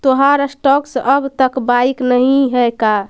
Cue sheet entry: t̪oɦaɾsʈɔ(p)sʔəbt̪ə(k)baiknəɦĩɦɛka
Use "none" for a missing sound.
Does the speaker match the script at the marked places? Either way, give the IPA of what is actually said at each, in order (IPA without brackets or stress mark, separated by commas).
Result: k, k